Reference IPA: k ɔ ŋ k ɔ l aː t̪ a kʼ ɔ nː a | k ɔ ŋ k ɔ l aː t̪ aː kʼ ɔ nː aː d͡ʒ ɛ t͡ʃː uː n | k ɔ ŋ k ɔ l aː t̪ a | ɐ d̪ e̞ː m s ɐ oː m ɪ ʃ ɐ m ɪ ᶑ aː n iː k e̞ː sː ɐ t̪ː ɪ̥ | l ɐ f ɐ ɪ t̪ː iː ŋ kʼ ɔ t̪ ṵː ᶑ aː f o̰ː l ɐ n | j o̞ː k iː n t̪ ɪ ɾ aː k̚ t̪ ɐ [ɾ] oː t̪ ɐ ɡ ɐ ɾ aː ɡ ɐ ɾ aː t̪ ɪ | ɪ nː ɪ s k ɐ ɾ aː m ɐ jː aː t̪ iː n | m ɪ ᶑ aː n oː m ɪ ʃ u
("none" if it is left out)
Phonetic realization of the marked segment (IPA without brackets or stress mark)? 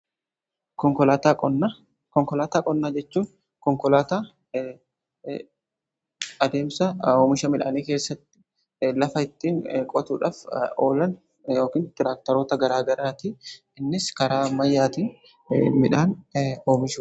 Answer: ɾ